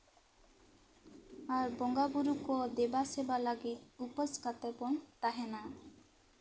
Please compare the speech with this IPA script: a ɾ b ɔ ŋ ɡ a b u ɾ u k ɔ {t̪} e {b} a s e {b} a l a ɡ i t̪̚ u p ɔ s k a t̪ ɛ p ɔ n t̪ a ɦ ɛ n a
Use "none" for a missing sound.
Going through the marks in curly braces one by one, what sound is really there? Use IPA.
d̪, b, b

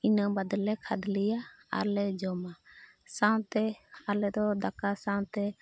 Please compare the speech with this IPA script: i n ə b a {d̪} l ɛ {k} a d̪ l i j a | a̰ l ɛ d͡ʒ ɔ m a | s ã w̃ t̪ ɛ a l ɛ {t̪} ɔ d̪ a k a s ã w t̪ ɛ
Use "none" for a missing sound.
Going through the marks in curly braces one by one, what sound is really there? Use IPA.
d̪, kʰ, d̪

